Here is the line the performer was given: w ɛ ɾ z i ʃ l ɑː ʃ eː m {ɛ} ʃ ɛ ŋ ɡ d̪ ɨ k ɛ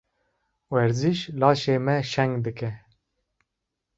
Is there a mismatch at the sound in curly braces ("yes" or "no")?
no